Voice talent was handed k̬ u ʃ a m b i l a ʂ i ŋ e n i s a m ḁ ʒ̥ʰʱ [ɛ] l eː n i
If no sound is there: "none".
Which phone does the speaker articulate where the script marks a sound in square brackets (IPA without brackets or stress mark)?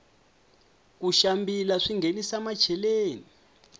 ɛ